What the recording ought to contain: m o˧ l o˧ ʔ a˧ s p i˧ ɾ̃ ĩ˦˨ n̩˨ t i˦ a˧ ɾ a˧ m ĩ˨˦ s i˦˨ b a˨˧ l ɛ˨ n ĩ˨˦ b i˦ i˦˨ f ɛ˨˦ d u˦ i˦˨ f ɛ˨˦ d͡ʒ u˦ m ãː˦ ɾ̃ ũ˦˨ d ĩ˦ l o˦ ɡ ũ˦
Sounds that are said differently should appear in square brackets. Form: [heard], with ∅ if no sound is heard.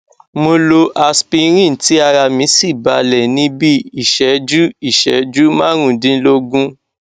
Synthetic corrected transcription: m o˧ l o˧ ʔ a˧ s p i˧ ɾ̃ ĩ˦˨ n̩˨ t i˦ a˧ ɾ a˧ m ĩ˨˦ s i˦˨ b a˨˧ l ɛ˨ n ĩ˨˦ b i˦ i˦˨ [ʃ] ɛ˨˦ [d͡ʒ] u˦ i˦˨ [ʃ] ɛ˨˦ d͡ʒ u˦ m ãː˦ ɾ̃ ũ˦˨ d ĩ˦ l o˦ ɡ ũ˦